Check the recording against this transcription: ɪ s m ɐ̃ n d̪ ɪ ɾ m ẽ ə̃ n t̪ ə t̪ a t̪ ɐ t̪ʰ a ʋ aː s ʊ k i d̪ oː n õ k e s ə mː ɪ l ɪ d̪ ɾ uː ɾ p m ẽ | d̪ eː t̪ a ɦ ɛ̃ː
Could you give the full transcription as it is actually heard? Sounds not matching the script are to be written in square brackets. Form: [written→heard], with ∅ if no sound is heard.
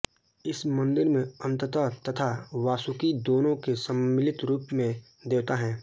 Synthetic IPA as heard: ɪ s m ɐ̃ n d̪ ɪ ɾ m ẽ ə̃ n t̪ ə t̪ a t̪ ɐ t̪ʰ a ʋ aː s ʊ k i d̪ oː n õ k e s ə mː ɪ l ɪ [d̪→t̪] ɾ uː [ɾ→∅] p m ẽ | d̪ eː t̪ a ɦ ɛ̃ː